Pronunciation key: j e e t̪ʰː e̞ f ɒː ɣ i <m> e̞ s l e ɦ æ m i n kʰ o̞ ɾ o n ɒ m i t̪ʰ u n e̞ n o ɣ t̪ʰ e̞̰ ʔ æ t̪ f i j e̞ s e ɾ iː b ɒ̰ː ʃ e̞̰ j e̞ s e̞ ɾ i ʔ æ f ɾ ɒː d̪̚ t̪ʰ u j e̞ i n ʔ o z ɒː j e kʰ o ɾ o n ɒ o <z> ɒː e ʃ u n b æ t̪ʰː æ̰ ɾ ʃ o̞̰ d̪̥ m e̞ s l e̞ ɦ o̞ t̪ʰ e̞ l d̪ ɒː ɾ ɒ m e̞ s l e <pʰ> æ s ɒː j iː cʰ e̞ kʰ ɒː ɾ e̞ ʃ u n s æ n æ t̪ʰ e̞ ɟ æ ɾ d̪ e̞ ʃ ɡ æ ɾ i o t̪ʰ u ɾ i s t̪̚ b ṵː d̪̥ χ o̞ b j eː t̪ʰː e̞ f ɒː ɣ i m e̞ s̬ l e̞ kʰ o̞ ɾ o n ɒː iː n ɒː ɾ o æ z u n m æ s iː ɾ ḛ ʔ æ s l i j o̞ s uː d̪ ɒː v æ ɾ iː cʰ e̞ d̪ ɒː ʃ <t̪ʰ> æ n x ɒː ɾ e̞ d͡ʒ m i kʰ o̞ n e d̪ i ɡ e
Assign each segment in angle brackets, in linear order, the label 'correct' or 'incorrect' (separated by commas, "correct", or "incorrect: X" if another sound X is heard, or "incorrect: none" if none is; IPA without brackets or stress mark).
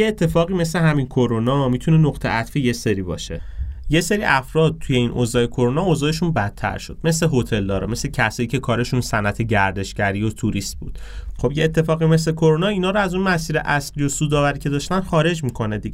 correct, correct, incorrect: cʰ, incorrect: t̪